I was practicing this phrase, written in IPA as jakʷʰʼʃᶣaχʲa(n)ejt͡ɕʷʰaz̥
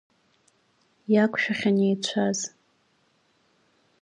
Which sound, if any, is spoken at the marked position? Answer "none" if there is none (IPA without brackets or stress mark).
n